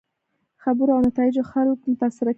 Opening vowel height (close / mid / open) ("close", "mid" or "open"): open